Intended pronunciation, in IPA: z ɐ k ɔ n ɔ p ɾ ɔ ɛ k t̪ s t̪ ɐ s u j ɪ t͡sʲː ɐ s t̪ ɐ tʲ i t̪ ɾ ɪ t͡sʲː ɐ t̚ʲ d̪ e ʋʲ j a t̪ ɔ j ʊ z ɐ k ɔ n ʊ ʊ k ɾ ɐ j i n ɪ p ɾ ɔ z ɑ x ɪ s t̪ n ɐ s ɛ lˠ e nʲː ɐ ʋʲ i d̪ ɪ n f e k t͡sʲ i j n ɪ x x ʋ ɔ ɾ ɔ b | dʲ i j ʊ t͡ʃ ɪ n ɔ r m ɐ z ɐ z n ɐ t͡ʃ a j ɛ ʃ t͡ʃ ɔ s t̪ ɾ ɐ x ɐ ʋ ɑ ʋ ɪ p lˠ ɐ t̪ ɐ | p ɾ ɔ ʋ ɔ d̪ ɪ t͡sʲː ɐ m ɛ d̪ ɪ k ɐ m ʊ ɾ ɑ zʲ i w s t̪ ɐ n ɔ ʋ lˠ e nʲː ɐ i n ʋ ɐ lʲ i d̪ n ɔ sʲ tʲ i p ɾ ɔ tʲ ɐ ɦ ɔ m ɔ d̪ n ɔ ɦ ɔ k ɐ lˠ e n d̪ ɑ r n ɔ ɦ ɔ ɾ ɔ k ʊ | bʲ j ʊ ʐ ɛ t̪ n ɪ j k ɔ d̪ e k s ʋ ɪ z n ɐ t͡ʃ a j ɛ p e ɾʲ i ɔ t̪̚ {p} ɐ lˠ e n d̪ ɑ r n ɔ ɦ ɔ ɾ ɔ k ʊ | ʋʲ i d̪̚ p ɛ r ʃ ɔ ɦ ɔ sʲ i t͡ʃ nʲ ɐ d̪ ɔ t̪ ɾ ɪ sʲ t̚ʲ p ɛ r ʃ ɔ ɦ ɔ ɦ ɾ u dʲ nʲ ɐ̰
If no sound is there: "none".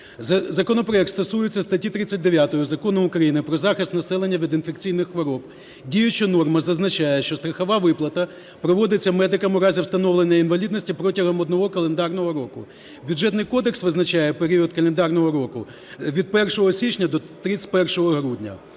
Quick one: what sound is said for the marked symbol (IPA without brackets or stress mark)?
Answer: k